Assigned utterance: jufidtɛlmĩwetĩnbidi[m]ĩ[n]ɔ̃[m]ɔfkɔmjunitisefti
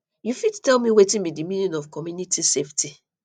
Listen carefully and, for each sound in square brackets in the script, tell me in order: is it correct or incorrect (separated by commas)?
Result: correct, correct, incorrect